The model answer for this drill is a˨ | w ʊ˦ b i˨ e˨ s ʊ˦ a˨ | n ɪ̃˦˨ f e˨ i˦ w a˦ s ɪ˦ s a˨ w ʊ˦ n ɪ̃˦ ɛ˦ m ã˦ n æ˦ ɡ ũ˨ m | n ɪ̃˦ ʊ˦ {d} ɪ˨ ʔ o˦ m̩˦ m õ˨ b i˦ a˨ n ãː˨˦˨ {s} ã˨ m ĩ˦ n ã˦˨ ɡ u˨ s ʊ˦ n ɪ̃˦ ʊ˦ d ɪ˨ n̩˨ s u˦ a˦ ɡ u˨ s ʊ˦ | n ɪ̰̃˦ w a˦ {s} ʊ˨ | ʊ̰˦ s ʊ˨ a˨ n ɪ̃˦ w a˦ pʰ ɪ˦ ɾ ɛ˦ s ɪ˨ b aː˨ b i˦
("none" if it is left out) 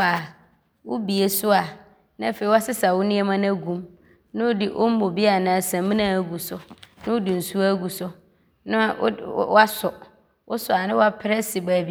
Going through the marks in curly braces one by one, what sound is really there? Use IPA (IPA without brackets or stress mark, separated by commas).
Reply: d, s, s